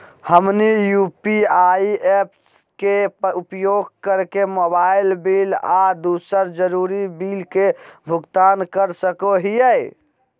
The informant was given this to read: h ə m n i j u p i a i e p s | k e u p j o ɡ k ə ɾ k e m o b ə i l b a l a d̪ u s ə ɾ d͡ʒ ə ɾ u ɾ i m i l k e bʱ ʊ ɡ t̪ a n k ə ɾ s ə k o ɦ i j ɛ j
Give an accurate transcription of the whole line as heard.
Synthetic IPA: h ə m n i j u p i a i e p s | k e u p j o ɡ k ə ɾ k e m o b a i l b i l a d̪ u s ə ɾ d͡ʒ ə ɾ u ɾ i b i l k e bʱ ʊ ɡ t̪ a n k ə ɾ s ə k o ɦ i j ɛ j